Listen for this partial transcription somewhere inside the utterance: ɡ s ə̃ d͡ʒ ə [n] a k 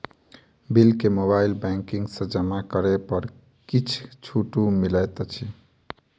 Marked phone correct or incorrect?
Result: incorrect